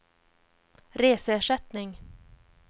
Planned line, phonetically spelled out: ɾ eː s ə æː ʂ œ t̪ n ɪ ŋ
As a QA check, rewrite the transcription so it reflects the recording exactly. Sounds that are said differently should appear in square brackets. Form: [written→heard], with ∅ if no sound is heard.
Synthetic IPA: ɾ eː s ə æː ʂ [œ→ɛ] t̪ n ɪ ŋ